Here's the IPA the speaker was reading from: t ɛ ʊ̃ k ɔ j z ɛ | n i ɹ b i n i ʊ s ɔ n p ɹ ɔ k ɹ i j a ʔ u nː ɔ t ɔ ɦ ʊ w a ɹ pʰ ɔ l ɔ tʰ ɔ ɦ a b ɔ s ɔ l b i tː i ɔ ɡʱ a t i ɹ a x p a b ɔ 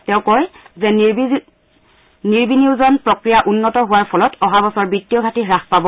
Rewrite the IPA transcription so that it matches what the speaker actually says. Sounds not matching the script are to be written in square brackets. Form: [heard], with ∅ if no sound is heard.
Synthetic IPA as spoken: t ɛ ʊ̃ k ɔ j z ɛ | n i ɹ b i n i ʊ [z] ɔ n p ɹ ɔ k ɹ i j a ʔ u nː ɔ t ɔ ɦ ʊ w a ɹ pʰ ɔ l ɔ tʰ ɔ ɦ a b ɔ s ɔ [ɹ] b i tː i ɔ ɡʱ a t i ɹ a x p a b ɔ